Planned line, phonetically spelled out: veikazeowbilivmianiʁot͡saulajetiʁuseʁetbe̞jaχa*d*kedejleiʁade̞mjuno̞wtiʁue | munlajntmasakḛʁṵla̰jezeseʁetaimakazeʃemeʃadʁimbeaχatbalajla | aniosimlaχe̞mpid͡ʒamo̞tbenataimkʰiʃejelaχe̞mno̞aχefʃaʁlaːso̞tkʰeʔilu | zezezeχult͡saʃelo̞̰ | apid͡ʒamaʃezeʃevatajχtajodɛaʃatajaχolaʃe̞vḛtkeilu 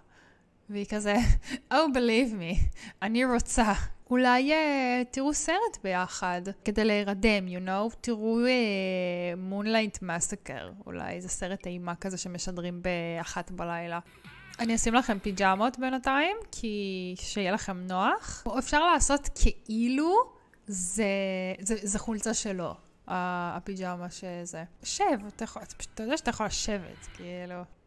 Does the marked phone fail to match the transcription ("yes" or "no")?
no